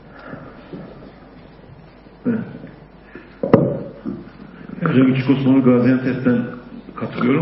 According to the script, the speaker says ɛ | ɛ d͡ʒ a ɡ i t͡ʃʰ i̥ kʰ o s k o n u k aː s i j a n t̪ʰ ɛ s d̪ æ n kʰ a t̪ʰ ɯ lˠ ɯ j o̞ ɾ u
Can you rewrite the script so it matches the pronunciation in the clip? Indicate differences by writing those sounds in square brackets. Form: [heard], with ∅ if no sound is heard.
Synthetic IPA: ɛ | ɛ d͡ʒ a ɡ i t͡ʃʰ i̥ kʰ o s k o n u [ɡ] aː [z] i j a n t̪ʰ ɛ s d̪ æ n kʰ a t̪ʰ ɯ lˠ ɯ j o̞ ɾ u

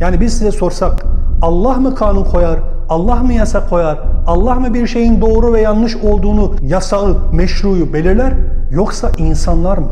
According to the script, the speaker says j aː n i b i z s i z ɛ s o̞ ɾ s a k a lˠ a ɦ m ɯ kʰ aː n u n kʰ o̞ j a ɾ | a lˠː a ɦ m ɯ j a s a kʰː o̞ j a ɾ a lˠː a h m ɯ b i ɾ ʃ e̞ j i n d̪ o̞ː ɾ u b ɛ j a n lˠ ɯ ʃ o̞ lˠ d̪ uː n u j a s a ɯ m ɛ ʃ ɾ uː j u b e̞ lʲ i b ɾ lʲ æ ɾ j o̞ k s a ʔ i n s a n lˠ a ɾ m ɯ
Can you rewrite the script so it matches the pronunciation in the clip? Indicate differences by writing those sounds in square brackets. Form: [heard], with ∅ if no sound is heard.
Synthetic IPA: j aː n i b i z s i z ɛ s o̞ ɾ s a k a [lˠː] a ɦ m ɯ kʰ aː n u n kʰ o̞ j a ɾ | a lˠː a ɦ m ɯ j a s a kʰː o̞ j a ɾ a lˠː a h m ɯ b i ɾ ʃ e̞ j i n d̪ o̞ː ɾ u [v] ɛ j a n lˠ ɯ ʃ o̞ lˠ d̪ uː n u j a s a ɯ m ɛ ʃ ɾ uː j u b e̞ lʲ i [∅] ɾ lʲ æ ɾ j o̞ k s a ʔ i n s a n lˠ a ɾ m ɯ

